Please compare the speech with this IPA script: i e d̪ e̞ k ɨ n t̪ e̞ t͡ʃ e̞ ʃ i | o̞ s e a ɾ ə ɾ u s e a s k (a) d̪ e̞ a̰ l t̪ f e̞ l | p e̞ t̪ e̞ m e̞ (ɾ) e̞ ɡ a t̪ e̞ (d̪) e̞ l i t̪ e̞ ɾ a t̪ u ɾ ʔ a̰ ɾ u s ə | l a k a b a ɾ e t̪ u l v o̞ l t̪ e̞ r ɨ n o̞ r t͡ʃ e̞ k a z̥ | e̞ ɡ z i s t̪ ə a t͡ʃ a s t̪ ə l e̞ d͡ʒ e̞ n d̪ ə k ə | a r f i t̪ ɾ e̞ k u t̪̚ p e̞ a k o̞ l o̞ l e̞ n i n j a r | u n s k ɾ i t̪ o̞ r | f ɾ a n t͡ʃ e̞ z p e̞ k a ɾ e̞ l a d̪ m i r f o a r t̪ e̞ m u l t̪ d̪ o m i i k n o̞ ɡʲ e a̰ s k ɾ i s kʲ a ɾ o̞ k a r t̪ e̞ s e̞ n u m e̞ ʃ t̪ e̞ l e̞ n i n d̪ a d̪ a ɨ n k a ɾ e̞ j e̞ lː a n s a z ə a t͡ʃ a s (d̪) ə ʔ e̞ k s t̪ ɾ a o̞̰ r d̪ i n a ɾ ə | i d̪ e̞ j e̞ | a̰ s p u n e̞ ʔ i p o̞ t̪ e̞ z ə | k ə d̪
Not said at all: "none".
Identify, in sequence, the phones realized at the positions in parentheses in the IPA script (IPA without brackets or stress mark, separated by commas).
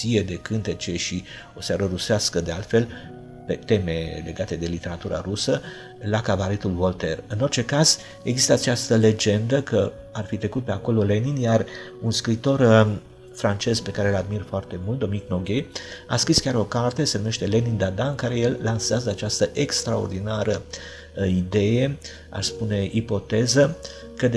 ə, l, d̪, t̪